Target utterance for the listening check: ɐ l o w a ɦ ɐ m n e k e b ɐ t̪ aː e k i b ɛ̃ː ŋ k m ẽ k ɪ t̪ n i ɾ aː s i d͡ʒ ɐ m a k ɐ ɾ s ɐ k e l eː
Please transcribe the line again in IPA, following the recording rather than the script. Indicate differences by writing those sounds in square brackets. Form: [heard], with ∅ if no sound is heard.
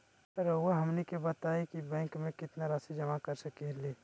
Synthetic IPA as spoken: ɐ [ɾ] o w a ɦ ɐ m n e k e b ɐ t̪ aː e k i b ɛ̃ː ŋ k m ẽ k ɪ t̪ n [a] ɾ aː s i d͡ʒ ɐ m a k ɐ ɾ s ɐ k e l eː